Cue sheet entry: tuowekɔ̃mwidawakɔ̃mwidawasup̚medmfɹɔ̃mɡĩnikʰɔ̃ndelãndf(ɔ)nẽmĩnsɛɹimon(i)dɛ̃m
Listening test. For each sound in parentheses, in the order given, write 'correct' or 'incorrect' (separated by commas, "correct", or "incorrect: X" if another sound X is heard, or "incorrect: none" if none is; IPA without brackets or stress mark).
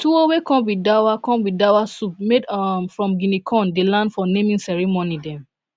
correct, correct